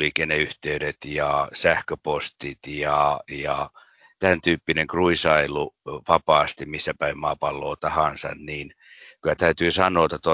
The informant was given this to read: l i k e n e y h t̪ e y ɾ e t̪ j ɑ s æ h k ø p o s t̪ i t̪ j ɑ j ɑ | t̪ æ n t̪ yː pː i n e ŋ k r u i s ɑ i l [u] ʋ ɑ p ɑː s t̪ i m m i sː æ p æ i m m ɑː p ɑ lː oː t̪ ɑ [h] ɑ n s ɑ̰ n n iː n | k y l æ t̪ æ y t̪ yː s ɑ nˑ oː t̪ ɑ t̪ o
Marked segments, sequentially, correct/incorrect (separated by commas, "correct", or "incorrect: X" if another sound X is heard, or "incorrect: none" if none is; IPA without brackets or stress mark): correct, correct